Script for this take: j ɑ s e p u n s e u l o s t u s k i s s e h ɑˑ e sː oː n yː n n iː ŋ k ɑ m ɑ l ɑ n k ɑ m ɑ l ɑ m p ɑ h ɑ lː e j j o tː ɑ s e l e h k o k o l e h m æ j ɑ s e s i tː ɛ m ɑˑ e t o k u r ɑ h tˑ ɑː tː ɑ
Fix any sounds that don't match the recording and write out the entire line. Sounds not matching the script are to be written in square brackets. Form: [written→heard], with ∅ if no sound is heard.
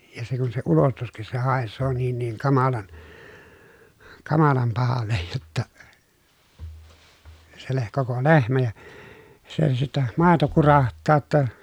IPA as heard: j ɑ s e [p→k] u n s e u l o s t u s k i s s e h ɑˑ e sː oː n [yː→iː] n n iː ŋ k ɑ m ɑ l ɑ n k ɑ m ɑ l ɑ m p ɑ h ɑ lː e j j o tː ɑ s e l e h k o k o l e h m æ j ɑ s e s i tː ɛ m ɑˑ e t o k u r ɑ h tˑ ɑː tː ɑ